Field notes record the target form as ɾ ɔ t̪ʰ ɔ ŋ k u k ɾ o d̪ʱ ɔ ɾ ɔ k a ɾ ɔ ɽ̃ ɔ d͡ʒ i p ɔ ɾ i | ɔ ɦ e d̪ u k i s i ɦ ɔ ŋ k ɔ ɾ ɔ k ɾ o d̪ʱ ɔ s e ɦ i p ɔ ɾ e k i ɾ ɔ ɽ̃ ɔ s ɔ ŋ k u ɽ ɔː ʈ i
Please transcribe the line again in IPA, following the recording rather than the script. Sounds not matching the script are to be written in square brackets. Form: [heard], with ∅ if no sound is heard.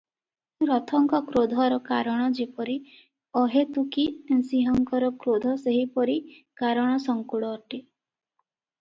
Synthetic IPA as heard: ɾ ɔ t̪ʰ ɔ ŋ k [ɔ] k ɾ o d̪ʱ ɔ ɾ ɔ k a ɾ ɔ ɽ̃ ɔ d͡ʒ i p ɔ ɾ i | ɔ ɦ e [t̪] u k i s i ɦ ɔ ŋ k ɔ ɾ ɔ k ɾ o d̪ʱ ɔ s e ɦ i p ɔ ɾ [i] k [a] ɾ ɔ ɽ̃ ɔ s ɔ ŋ k u ɽ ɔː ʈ i